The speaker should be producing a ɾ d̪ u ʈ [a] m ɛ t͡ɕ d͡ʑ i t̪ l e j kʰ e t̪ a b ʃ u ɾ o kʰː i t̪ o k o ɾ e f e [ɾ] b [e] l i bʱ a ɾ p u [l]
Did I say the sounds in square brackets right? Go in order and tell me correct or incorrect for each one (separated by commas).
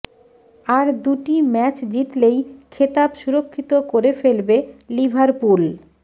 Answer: incorrect, incorrect, correct, correct